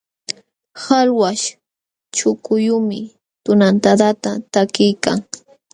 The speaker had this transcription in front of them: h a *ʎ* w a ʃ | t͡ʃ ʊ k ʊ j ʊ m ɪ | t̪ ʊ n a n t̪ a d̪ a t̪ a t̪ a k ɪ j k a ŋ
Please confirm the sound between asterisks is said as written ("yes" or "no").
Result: no